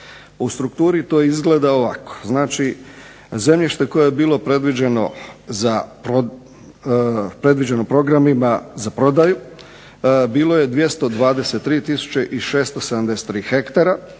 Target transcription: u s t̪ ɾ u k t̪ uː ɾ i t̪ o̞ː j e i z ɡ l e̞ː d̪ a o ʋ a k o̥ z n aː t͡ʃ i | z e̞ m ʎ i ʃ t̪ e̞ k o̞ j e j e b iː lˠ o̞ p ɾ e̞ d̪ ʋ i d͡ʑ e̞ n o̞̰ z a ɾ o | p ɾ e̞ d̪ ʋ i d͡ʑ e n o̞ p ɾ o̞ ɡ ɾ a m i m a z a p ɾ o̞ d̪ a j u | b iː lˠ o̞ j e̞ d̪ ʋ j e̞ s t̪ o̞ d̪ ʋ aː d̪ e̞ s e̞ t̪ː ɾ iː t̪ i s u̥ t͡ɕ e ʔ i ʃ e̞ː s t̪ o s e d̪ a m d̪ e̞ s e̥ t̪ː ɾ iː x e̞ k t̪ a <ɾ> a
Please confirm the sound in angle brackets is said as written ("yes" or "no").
yes